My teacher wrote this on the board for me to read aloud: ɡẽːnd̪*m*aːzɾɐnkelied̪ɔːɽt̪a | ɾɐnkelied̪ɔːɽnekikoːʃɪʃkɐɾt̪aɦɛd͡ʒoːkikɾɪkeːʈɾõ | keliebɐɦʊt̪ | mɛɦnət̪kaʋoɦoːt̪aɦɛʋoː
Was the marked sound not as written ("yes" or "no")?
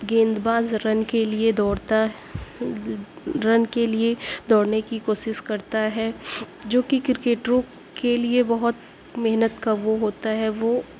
yes